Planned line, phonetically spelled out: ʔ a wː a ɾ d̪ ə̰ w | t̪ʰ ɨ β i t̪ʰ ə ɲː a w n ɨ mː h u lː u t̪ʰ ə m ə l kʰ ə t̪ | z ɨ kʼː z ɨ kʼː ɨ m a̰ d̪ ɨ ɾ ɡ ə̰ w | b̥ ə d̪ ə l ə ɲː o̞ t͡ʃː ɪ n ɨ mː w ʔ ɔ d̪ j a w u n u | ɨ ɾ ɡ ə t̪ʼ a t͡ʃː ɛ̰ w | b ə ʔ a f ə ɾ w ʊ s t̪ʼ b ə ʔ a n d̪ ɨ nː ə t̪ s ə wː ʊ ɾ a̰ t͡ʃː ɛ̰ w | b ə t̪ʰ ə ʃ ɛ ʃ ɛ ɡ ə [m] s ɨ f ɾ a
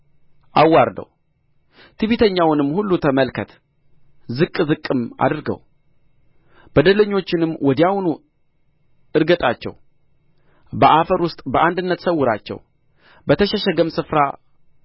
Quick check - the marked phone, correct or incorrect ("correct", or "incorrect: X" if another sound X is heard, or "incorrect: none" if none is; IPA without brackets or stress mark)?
correct